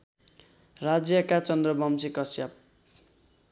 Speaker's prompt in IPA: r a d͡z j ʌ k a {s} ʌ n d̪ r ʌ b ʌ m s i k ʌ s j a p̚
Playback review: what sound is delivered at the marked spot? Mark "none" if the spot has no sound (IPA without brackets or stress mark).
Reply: t͡s